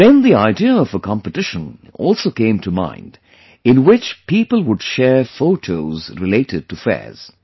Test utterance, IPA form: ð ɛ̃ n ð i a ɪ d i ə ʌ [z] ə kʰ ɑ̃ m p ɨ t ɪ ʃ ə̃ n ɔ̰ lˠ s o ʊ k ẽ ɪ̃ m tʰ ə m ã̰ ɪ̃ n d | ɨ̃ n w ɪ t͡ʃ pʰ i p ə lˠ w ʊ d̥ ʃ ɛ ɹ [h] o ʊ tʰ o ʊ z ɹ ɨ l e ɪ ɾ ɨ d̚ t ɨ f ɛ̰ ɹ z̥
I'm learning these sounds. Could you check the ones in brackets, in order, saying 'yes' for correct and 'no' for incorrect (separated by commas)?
no, no